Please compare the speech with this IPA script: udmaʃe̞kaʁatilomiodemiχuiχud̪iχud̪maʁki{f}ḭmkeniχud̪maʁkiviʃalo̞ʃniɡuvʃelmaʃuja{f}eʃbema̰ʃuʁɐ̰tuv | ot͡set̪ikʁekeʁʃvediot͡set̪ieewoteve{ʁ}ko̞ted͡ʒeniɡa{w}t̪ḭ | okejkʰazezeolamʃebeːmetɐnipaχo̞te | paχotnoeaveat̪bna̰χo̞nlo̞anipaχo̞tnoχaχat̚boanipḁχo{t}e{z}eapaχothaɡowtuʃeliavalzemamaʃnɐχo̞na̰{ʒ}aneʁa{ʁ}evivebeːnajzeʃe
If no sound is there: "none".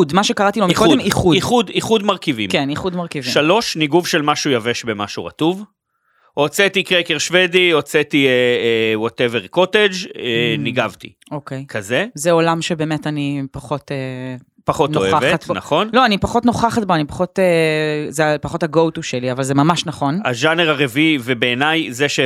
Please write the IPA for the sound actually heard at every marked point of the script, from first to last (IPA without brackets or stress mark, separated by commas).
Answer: v, v, ʁ, v, t, z, ʒ, ʁ